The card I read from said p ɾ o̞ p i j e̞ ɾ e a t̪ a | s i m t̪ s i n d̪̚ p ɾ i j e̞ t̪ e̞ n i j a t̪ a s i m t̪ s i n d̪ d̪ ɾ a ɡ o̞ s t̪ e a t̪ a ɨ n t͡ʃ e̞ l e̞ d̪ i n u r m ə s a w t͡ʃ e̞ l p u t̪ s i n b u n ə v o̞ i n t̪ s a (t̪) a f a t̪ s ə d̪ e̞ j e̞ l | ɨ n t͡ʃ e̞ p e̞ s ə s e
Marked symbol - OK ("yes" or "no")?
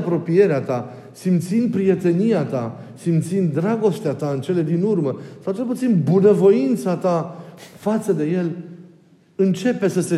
yes